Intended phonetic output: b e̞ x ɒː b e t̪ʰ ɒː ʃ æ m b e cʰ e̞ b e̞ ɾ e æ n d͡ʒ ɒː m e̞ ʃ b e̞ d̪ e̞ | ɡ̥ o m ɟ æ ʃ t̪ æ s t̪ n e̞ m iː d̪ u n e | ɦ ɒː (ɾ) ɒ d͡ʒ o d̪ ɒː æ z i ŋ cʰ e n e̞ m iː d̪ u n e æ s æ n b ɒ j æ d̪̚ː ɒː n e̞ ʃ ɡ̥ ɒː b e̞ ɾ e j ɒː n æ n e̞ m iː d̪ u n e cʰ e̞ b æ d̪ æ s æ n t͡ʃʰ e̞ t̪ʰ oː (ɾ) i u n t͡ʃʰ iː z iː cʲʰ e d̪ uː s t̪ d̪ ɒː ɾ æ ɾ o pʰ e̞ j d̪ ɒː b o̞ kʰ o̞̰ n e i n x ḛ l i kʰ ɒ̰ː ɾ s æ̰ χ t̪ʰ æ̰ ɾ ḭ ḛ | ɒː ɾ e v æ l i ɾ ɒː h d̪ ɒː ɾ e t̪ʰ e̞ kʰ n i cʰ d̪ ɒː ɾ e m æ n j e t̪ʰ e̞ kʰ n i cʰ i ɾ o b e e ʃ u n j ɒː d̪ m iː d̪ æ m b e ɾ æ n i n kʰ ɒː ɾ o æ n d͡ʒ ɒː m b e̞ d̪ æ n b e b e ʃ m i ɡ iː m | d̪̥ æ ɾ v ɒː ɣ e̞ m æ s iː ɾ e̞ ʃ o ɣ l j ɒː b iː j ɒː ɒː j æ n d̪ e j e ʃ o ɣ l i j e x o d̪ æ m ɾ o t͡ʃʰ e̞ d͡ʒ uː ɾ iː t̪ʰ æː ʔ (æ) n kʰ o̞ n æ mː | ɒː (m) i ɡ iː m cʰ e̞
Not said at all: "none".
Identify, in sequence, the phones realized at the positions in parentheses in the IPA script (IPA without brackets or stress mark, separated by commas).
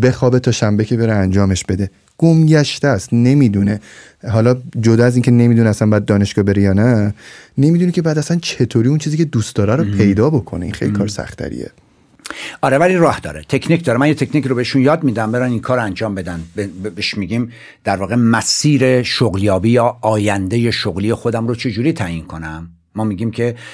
l, ɾ, i, m